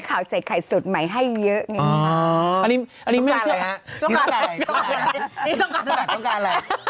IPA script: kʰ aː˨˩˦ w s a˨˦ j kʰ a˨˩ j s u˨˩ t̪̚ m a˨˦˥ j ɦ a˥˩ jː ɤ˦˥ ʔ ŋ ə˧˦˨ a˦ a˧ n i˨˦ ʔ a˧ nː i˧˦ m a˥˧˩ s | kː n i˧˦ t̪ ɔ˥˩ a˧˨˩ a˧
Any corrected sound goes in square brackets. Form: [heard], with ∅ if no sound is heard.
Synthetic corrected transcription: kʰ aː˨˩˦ w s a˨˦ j kʰ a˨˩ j s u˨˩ t̪̚ m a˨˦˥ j ɦ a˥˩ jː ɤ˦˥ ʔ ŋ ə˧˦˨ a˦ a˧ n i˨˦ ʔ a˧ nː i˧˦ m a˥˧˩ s | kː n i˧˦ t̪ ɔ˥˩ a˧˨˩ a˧